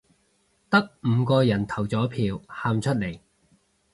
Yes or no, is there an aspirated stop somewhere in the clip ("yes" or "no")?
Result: yes